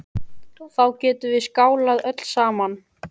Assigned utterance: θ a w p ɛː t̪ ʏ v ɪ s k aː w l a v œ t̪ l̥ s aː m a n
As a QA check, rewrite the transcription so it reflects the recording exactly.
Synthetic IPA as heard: θ a w c ɛː t̪ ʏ v ɪ s k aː w l a ð œ t̪ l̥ s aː m a n